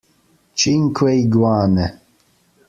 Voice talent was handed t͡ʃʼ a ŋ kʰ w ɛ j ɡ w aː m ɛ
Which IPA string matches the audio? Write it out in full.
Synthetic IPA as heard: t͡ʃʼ i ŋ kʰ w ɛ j ɡ w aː n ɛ